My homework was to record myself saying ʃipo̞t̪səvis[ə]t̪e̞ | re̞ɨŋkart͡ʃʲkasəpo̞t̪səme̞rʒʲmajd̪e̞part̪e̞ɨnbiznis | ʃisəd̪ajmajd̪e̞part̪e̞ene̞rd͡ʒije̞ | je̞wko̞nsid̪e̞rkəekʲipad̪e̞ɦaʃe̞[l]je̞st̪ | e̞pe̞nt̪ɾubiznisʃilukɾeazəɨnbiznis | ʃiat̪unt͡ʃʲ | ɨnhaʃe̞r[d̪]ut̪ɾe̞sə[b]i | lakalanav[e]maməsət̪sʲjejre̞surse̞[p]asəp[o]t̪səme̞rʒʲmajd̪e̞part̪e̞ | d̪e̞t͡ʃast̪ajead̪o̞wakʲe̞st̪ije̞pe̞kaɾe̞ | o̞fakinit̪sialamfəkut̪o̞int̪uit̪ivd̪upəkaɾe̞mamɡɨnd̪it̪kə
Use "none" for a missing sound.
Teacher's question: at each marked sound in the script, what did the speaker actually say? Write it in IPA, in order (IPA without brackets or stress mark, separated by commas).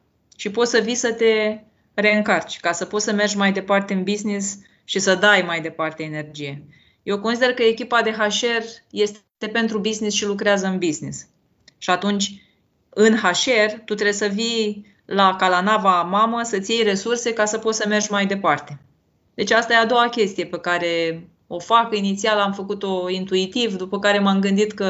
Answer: ə, r, t̪, v, a, k, o